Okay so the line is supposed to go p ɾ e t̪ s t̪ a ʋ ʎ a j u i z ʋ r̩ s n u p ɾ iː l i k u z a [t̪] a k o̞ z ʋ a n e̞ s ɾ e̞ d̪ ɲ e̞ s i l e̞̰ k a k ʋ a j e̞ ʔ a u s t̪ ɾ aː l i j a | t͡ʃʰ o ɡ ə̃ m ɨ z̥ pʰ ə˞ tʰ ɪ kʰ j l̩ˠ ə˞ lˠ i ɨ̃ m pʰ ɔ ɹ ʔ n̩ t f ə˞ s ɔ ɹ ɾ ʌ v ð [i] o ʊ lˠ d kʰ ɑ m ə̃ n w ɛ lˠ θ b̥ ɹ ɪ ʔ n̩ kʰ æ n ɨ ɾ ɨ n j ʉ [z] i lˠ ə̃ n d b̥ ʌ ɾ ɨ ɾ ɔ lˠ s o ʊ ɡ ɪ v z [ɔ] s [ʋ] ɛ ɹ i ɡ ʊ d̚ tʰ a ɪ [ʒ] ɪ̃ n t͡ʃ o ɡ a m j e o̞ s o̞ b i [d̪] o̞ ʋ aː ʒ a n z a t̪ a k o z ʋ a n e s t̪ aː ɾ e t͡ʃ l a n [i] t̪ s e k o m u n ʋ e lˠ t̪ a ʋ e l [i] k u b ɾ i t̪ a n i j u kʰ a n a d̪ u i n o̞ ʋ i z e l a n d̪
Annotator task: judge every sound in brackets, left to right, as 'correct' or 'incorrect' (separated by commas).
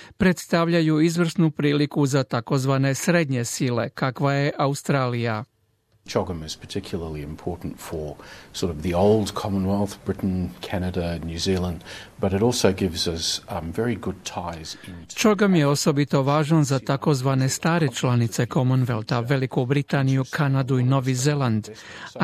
correct, correct, correct, incorrect, incorrect, incorrect, incorrect, correct, correct